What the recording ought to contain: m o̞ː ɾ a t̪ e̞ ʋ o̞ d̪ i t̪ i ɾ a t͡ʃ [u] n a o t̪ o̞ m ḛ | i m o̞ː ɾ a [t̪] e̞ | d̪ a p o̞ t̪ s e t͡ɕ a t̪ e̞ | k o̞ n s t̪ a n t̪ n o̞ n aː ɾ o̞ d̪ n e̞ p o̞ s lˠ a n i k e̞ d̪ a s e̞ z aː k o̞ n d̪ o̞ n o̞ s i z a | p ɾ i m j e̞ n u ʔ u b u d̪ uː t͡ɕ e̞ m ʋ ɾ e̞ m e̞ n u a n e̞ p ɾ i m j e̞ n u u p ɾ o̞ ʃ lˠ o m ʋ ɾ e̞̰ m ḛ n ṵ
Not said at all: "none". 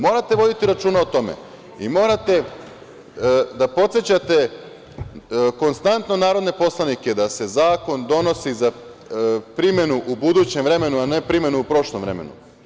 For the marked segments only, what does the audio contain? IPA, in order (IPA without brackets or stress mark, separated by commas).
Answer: uː, t̪